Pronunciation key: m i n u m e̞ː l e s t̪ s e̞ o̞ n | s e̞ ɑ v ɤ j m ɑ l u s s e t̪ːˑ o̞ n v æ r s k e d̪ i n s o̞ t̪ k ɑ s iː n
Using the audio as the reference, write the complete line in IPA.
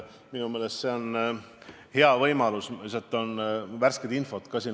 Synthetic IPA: m i n u m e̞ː l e s t̪ s e̞ o̞ n | h e̞ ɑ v ɤ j m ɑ l u s s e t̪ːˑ o̞ n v æ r s k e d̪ i n f o̞ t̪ k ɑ s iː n